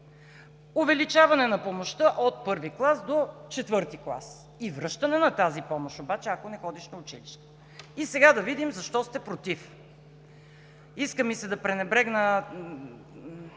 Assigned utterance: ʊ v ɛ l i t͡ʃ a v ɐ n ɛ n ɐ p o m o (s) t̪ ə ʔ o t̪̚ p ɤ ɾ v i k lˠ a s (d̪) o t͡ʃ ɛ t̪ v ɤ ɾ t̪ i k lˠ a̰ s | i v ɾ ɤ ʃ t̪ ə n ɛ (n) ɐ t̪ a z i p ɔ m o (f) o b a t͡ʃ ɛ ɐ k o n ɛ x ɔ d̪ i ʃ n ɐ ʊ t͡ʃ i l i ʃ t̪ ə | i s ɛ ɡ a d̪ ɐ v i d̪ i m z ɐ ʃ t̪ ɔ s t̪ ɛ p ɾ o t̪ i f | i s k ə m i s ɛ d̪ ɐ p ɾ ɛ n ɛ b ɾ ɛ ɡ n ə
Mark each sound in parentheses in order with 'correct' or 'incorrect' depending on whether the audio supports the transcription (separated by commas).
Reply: incorrect, correct, correct, incorrect